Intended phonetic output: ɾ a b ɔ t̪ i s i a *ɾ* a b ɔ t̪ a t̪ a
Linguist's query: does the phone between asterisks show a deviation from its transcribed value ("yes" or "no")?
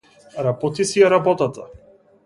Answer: no